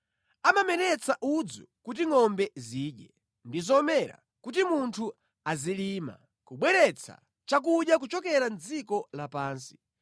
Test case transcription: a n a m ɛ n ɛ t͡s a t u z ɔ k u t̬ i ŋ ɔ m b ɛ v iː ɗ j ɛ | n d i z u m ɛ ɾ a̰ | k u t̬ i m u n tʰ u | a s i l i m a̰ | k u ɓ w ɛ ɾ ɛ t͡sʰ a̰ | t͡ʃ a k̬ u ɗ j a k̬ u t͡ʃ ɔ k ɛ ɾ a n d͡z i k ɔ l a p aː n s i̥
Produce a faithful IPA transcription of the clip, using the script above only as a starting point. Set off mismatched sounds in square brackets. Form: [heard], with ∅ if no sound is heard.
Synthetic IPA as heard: a [m] a m ɛ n ɛ t͡s a [ʔ] u [d͡z] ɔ k u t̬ i ŋ ɔ m b ɛ [z] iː ɗ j ɛ | n d i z [ɔ] m ɛ ɾ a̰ | k u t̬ i m u n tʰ u | a [z] i l i m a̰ | k u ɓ w ɛ ɾ ɛ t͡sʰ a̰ | t͡ʃ a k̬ u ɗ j a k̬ u t͡ʃ ɔ k ɛ ɾ a n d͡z i k ɔ l a p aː n s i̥